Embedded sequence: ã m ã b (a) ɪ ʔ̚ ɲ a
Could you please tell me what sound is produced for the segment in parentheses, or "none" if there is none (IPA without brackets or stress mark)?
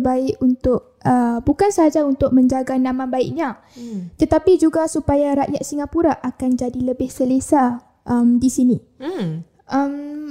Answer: a